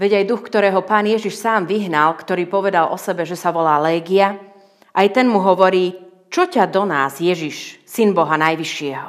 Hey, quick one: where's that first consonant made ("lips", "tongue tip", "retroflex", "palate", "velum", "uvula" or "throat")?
lips